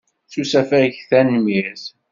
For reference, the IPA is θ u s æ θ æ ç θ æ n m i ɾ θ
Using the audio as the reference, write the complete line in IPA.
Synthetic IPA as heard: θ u s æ f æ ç θ æ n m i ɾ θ